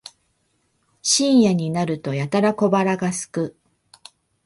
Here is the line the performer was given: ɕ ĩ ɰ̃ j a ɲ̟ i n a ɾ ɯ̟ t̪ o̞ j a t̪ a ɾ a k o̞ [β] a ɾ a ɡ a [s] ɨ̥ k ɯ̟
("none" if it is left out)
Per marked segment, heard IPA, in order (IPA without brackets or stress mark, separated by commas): b, s